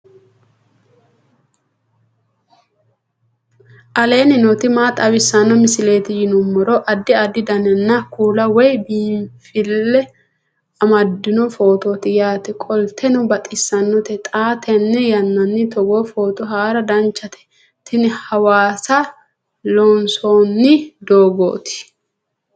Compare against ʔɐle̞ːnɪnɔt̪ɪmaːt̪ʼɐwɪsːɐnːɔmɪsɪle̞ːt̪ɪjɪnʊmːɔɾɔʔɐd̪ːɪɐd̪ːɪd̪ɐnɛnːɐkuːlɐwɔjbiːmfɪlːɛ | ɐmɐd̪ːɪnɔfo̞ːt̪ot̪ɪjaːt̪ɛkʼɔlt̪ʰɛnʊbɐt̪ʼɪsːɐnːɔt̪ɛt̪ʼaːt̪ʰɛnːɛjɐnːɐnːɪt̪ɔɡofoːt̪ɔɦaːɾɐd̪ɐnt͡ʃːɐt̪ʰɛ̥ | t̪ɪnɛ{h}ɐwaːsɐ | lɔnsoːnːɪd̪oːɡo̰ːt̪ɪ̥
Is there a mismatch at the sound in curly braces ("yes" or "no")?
no